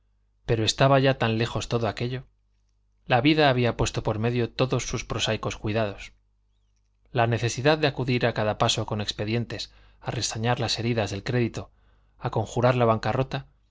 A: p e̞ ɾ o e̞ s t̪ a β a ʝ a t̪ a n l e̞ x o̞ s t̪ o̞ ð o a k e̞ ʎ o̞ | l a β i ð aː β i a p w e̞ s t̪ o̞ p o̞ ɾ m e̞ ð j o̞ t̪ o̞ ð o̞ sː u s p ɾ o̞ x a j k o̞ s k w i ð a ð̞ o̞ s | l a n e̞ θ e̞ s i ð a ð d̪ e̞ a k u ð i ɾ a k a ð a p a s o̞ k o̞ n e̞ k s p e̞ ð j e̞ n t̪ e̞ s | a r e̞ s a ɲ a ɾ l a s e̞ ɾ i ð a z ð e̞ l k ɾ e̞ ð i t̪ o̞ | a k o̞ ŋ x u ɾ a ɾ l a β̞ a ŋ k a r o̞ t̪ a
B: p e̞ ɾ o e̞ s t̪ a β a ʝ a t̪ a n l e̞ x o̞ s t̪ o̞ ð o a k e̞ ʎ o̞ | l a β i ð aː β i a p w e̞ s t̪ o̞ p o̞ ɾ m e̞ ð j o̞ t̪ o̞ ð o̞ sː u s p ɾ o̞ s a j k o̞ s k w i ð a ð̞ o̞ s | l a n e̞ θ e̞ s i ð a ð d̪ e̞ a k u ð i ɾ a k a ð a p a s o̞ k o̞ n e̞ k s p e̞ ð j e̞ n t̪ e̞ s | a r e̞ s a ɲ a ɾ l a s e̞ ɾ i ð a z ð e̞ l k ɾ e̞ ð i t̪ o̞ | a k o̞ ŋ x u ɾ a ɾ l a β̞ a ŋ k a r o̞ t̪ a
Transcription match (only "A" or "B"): B